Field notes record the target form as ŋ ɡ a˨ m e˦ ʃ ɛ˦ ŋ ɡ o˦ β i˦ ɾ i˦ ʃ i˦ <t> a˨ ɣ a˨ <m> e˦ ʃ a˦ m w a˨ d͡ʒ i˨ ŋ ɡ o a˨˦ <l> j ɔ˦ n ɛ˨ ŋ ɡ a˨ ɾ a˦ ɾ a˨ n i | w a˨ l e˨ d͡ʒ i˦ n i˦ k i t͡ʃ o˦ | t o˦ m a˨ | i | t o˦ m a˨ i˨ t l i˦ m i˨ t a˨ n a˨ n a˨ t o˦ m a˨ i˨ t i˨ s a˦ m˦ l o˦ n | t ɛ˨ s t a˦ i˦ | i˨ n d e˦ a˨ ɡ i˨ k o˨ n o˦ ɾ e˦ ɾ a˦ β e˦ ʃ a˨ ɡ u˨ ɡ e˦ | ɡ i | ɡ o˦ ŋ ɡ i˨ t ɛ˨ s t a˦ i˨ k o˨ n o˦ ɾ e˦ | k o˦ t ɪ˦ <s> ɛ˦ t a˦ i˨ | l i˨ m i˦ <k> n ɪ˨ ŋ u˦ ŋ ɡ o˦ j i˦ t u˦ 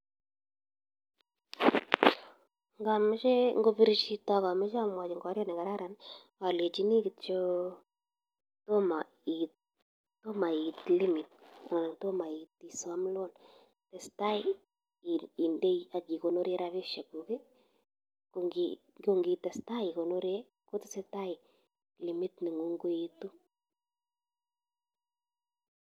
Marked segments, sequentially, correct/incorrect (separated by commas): correct, correct, incorrect, correct, incorrect